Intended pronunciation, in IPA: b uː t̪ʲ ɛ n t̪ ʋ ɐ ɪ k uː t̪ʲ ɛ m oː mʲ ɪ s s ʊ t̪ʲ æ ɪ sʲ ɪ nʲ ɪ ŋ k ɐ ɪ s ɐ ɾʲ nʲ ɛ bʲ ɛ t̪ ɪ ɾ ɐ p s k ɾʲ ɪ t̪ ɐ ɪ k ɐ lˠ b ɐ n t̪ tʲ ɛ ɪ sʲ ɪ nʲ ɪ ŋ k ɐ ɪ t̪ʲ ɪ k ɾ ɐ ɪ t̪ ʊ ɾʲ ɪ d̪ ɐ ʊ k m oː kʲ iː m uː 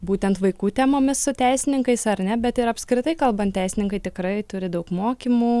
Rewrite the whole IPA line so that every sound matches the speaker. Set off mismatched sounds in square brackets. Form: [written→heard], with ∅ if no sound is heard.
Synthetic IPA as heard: b uː t̪ʲ ɛ n t̪ ʋ ɐ ɪ k uː t̪ʲ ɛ m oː mʲ ɪ s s ʊ t̪ʲ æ ɪ sʲ ɪ nʲ ɪ ŋ k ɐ ɪ s ɐ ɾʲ nʲ ɛ bʲ ɛ t̪ ɪ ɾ ɐ p s k ɾʲ ɪ t̪ ɐ ɪ k ɐ lˠ b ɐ n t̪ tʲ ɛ ɪ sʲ ɪ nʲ ɪ ŋ k ɐ ɪ t̪ʲ ɪ k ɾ ɐ ɪ t̪ ʊ ɾʲ ɪ d̪ ɐ ʊ k m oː kʲ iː m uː